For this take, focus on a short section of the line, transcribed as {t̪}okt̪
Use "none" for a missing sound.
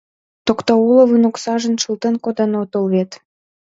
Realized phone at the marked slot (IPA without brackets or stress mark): t̪